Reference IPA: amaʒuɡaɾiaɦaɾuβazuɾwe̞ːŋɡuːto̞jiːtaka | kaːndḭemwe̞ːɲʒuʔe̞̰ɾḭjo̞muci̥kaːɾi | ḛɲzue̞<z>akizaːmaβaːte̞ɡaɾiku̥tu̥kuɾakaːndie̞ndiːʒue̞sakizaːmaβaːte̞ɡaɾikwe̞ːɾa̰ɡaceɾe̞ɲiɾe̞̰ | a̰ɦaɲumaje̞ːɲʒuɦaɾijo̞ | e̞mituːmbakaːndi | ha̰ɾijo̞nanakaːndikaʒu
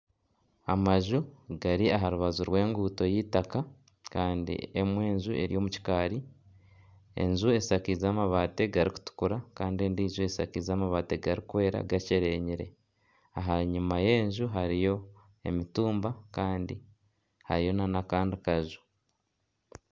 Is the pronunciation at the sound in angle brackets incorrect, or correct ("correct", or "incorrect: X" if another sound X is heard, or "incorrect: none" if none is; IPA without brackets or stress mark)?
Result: incorrect: s